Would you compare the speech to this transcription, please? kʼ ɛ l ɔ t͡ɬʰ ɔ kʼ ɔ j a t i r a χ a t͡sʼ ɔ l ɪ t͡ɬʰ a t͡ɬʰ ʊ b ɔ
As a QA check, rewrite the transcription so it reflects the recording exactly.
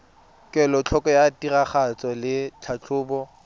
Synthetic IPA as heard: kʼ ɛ l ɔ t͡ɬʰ ɔ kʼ ɔ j a t i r a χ a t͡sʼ ɔ l ɪ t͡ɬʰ a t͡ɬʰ ʊː b ɔ